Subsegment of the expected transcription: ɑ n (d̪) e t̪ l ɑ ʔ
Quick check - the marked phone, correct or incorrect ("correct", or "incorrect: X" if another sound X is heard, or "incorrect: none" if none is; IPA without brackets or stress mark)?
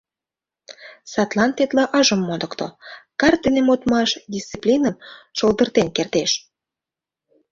incorrect: t̪